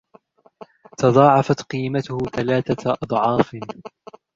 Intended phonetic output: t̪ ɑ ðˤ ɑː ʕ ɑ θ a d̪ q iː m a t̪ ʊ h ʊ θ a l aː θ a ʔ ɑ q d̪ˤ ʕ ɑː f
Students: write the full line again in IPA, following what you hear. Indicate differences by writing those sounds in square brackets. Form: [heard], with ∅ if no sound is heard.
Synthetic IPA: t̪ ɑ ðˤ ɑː ʕ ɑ [f] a [t̪] q iː m a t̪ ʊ h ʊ θ a l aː θ a ʔ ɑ [∅] d̪ˤ ʕ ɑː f